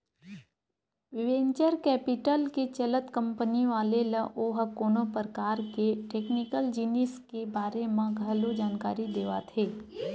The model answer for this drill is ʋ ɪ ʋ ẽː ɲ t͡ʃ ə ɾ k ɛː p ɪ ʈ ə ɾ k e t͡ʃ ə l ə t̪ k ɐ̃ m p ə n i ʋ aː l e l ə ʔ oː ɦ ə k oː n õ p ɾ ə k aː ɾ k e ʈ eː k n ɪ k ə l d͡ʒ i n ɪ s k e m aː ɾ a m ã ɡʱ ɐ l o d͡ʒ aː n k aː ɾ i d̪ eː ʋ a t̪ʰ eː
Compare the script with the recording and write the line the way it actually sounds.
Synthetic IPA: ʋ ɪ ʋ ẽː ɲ t͡ʃ ə ɾ k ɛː p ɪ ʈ ə l k e t͡ʃ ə l ə t̪ k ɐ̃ m p ə n i ʋ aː l e l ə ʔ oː ɦ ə k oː n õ p ɾ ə k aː ɾ k e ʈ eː k n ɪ k ə l d͡ʒ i n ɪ s k e b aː ɾ e m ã ɡʱ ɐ l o d͡ʒ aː n k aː ɾ i d̪ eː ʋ a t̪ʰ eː

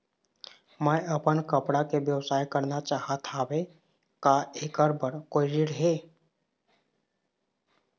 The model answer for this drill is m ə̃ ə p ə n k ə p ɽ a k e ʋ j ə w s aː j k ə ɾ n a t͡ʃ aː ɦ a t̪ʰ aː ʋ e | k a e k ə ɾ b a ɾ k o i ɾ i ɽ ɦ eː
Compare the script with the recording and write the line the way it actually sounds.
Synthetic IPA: m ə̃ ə p ə n k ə p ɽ a k e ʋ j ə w s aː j k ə ɾ n a t͡ʃ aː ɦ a t̪ʰ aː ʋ e | k a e k ə ɾ b ə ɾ k o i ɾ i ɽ ɦ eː

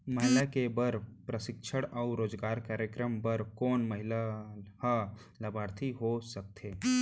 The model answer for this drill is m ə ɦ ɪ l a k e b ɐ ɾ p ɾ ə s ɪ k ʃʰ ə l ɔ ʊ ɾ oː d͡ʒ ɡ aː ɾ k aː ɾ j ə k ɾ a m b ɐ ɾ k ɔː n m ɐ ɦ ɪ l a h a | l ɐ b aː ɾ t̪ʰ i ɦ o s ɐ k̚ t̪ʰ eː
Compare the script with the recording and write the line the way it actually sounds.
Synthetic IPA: m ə ɦ ɪ l a k e b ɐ ɾ p ɾ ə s ɪ k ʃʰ ə ɽ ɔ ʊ ɾ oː d͡ʒ ɡ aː ɾ k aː ɾ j ə k ɾ ə m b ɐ ɾ k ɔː n m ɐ ɦ ɪ l a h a | l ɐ b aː ɾ t̪ʰ i ɦ o s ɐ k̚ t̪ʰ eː

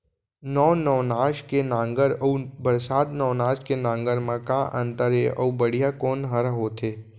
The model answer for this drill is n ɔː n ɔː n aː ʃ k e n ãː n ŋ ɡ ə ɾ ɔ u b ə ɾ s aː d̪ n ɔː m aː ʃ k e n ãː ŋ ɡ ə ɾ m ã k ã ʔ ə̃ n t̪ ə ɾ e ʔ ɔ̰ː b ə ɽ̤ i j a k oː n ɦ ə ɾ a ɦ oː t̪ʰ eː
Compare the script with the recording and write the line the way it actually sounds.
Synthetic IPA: n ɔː n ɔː n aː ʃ k e n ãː ŋ ɡ ə ɾ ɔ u b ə ɾ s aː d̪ n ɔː n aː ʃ k e n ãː ŋ ɡ ə ɾ m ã k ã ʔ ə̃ n t̪ ə ɾ e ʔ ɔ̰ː b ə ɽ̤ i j a k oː n ɦ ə ɾ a ɦ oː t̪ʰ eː

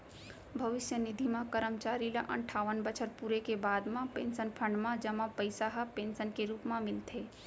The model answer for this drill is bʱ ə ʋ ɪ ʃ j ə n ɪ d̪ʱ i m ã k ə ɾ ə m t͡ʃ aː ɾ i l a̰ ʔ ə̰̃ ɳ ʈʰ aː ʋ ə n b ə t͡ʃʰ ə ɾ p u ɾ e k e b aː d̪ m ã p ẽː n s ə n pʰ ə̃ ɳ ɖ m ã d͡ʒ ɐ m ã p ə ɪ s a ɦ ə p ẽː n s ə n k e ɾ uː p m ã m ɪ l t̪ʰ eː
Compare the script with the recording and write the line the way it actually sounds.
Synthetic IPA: bʱ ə ʋ ɪ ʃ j ə n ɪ d̪ʱ i m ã k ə ɾ ə m t͡ʃ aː ɾ i l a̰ ʔ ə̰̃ ɳ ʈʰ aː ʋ ə n b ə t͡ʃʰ ə ɾ p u ɾ e k e b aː d̪ m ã p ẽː n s ə n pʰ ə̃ ɳ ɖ m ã d͡ʒ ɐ m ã p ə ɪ s a ɦ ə p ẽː n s ə n k e ɾ uː p m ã m ɪ l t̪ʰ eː

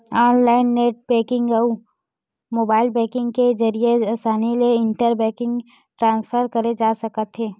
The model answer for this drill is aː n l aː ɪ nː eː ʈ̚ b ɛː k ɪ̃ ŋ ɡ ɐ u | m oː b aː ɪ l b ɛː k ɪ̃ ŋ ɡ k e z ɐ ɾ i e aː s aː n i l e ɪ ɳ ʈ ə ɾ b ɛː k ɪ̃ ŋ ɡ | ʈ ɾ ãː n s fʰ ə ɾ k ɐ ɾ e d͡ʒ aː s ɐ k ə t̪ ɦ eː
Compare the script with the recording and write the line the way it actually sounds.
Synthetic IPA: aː n l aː ɪ nː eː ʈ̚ b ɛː k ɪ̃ ŋ ɡ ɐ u | m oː b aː ɪ l b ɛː k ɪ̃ ŋ ɡ k e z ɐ ɾ i e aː s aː n i l e ɪ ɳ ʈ ə ɾ b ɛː k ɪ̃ ŋ ɡ | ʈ ɾ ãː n s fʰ ə ɾ k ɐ ɾ e d͡ʒ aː s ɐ k ə t̪ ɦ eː

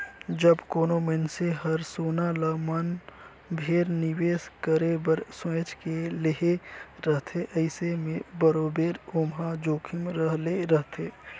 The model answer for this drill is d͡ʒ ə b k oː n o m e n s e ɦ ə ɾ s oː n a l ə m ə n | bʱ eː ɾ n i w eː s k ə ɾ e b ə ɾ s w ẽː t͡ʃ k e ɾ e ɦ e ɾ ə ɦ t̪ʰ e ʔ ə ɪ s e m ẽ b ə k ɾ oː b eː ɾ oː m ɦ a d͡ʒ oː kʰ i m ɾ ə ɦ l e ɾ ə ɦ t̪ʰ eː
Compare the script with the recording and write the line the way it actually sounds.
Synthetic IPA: d͡ʒ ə b k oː n o m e n s e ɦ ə ɾ s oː n a l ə m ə n | bʱ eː ɾ n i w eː s k ə ɾ e b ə ɾ s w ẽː t͡ʃ k e l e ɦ e ɾ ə ɦ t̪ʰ e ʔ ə ɪ s e m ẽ b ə ɾ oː b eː ɾ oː m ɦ a d͡ʒ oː kʰ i m ɾ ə ɦ l e ɾ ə ɦ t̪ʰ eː

